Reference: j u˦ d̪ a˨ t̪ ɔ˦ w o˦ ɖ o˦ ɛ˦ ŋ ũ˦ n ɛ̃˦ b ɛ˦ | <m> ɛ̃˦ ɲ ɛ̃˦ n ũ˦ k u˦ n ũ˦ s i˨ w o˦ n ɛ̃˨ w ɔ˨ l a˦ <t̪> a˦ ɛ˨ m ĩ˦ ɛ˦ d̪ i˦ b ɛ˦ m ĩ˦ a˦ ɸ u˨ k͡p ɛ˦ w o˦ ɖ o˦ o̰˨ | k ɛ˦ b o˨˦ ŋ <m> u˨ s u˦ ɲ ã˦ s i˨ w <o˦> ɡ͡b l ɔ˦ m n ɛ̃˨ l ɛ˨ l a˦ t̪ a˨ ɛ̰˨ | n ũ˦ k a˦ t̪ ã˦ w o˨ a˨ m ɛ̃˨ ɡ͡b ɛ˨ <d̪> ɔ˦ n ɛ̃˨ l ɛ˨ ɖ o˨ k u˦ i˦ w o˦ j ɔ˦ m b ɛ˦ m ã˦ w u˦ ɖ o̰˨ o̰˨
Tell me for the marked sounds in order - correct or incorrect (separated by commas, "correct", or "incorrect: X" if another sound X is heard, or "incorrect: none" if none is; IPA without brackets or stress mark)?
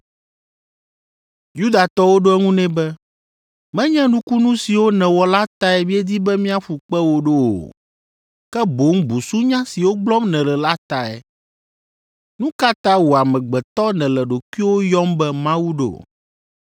correct, correct, incorrect: b, correct, incorrect: t̪